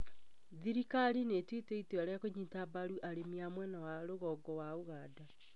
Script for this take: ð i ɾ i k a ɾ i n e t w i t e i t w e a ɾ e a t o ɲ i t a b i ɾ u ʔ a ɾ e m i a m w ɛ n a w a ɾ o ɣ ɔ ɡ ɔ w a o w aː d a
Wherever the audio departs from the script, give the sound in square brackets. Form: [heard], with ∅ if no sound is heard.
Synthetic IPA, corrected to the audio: ð i ɾ i k a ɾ i n e t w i t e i t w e a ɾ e a [k] o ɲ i t a b [a] ɾ u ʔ a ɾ e m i a m w ɛ n a w a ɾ o ɣ ɔ ɡ ɔ w a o [ɣ] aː d a